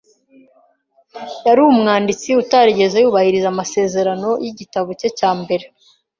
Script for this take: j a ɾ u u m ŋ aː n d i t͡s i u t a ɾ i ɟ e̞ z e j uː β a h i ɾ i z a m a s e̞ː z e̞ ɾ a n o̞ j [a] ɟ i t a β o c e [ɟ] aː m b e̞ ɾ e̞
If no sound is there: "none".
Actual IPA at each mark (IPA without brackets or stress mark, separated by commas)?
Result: i, c